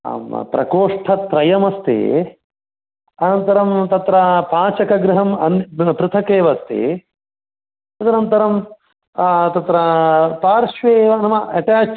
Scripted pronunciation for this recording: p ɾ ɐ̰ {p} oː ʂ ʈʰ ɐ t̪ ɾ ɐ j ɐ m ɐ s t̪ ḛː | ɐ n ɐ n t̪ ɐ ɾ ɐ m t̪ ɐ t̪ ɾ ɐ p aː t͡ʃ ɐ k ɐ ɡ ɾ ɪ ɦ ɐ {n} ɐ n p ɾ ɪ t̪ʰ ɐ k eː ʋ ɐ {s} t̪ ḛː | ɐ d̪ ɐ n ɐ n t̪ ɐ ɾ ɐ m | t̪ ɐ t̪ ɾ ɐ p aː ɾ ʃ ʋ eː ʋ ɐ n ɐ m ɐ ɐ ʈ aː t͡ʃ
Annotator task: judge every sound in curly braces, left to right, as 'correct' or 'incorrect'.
incorrect: k, incorrect: m, correct

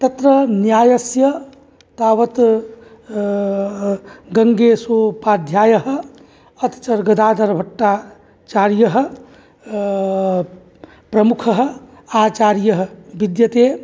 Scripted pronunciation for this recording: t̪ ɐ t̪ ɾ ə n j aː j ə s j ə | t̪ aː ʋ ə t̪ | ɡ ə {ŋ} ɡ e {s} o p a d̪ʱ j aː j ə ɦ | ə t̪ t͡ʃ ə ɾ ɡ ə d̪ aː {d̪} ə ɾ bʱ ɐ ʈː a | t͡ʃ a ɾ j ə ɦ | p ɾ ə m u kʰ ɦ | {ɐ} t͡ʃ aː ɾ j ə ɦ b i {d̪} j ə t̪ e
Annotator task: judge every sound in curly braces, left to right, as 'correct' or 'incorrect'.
correct, correct, correct, incorrect: a, correct

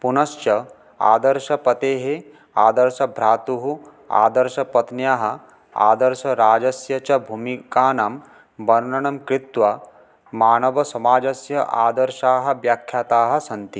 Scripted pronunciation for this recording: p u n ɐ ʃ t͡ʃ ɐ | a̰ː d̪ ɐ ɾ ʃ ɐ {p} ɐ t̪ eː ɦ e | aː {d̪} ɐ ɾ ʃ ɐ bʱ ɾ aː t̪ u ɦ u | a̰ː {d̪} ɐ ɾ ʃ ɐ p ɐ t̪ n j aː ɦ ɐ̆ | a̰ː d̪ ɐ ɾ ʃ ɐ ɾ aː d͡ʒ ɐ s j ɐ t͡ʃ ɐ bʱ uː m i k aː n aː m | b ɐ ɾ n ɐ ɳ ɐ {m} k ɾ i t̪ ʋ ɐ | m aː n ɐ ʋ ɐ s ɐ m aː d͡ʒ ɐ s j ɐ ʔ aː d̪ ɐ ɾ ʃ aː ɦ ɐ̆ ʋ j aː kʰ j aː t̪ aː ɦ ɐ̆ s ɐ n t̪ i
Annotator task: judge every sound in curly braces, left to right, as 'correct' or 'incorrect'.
correct, correct, correct, correct

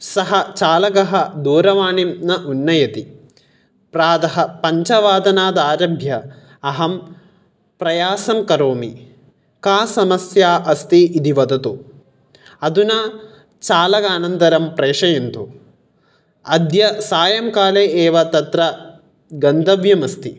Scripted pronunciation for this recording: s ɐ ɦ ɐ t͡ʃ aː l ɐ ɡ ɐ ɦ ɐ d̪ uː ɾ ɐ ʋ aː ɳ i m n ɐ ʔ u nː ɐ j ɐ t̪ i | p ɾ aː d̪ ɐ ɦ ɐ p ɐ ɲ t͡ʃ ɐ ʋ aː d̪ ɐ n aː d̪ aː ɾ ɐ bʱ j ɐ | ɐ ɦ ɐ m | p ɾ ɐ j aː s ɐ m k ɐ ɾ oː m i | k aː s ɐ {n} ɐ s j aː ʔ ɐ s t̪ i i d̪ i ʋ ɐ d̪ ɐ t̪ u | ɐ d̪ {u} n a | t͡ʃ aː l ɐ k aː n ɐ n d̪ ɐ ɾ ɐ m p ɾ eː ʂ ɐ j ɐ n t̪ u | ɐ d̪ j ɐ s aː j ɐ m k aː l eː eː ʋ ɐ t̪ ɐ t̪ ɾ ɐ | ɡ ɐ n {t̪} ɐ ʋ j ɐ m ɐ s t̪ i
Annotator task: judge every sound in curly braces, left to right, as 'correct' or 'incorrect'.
incorrect: m, correct, incorrect: d̪

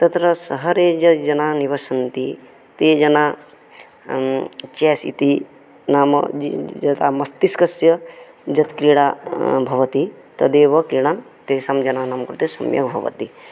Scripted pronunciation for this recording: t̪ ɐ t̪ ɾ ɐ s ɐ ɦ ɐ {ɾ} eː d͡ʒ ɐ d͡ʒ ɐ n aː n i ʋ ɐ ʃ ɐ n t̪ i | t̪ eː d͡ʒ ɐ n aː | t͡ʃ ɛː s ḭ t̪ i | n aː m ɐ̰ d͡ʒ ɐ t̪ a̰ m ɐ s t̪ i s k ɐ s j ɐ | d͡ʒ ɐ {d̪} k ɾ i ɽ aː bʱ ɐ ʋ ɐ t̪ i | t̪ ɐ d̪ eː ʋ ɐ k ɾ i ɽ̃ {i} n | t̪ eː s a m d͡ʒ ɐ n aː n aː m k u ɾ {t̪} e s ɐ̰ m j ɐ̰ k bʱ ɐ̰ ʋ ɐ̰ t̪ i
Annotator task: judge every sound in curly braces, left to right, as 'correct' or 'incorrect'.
correct, incorrect: t̪, incorrect: a, correct

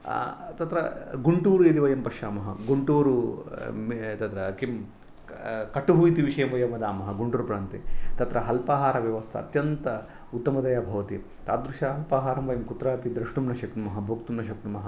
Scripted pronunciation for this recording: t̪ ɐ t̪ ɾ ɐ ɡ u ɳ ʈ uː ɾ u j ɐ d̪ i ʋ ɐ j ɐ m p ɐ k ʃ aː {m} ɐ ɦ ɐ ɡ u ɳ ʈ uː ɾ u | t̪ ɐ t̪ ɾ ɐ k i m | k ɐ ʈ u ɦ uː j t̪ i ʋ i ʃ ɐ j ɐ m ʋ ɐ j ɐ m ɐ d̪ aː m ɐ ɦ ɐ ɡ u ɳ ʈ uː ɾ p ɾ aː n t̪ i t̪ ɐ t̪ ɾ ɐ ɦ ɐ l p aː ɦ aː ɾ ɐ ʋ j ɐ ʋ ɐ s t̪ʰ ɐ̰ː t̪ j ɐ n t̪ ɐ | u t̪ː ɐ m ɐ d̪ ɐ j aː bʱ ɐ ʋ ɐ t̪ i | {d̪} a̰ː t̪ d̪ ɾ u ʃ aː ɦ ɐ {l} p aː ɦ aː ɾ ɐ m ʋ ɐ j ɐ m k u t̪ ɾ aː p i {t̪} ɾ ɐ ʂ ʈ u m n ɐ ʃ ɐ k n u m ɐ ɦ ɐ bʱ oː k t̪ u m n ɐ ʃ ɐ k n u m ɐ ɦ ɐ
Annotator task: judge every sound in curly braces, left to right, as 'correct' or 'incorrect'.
correct, incorrect: t̪, correct, incorrect: d̪

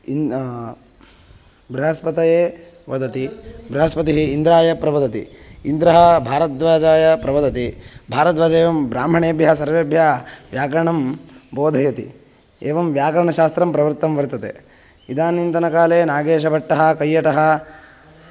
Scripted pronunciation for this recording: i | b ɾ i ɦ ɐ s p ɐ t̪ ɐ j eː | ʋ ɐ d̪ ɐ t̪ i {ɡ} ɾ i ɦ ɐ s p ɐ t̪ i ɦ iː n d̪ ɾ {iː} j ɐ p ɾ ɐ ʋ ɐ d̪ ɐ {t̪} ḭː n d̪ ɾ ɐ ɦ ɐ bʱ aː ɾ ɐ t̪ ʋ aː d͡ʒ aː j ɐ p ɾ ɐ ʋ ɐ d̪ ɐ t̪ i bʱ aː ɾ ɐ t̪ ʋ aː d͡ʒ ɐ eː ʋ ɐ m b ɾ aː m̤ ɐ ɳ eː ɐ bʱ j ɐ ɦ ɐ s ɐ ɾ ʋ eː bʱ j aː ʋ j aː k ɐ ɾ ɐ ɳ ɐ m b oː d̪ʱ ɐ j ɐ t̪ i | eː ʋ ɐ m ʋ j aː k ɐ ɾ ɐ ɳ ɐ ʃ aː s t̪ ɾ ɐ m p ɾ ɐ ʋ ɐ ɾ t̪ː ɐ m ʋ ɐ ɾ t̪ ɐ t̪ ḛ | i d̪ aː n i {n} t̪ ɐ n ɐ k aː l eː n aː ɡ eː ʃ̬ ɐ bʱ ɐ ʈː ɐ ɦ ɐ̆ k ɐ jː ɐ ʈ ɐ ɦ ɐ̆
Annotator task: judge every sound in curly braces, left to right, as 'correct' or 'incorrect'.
incorrect: b, incorrect: aː, correct, correct

